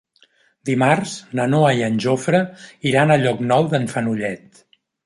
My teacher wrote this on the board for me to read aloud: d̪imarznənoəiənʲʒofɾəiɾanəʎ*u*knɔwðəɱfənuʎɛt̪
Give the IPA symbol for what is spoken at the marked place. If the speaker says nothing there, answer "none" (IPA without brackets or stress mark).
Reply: ɔ